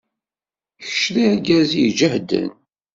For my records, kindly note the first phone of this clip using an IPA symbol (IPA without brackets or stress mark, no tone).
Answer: ç